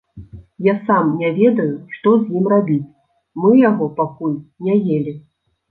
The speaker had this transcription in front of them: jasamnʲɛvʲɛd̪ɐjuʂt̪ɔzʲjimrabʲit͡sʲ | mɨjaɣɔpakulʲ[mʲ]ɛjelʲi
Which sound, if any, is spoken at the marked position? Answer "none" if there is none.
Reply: nʲ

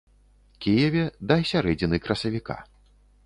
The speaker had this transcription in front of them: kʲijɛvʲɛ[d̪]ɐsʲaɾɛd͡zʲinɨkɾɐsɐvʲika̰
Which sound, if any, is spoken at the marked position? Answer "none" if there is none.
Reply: d̪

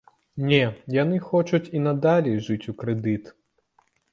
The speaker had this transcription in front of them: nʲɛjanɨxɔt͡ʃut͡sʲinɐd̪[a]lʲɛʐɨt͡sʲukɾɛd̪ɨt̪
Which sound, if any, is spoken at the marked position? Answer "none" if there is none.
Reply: a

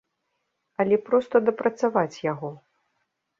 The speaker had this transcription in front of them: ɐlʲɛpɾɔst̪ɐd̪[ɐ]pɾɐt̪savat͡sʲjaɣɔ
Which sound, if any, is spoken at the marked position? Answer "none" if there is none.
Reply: ɐ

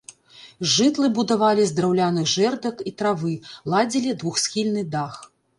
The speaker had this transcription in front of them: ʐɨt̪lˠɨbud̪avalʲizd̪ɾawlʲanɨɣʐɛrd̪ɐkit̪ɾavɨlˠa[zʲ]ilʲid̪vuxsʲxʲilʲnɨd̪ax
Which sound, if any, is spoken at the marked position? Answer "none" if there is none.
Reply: d͡zʲ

